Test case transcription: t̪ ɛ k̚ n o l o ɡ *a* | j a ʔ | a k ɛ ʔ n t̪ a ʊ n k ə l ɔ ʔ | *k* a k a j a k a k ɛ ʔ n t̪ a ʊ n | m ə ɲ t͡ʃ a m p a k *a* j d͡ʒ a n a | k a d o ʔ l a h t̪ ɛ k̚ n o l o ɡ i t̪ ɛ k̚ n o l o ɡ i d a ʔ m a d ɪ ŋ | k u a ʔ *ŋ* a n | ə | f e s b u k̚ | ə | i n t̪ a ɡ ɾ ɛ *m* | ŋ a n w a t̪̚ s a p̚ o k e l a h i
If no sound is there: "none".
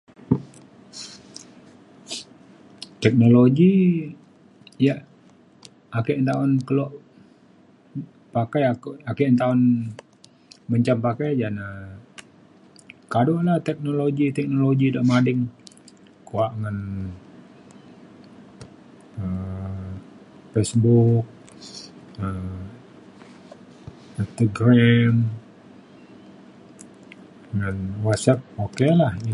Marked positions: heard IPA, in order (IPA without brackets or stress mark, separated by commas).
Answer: i, p, a, ŋ, m